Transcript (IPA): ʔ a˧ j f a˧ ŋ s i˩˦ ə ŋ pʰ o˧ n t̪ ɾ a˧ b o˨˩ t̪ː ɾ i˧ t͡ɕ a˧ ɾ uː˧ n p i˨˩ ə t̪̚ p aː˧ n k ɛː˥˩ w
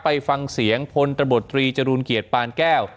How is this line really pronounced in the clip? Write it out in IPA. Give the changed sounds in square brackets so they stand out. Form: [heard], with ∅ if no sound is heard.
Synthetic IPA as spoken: [p] a˧ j f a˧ ŋ s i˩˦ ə ŋ pʰ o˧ n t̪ ɾ a˧ b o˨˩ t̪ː ɾ [iː˧] t͡ɕ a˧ ɾ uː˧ n [k] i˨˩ ə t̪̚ p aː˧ n k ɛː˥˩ w